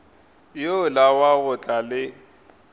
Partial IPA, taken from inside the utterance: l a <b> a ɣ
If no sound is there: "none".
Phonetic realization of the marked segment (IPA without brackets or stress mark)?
w